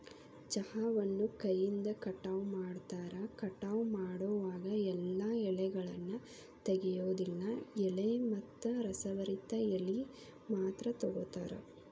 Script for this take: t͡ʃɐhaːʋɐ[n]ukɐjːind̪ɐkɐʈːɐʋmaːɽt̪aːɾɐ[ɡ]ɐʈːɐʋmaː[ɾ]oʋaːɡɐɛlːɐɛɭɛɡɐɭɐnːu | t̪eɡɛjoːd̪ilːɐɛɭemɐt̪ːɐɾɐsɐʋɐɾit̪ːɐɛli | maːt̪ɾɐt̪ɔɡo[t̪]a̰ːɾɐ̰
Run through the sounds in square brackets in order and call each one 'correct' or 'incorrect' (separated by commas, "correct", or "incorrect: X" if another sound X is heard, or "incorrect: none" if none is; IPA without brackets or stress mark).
incorrect: nː, incorrect: k, incorrect: ɽ, correct